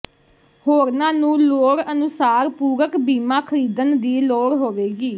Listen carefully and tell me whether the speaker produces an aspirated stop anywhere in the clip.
yes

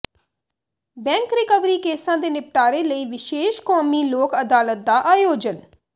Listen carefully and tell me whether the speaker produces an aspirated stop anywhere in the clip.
no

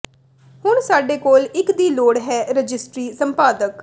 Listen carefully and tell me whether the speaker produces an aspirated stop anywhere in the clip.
no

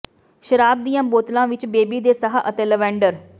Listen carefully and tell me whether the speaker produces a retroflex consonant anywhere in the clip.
yes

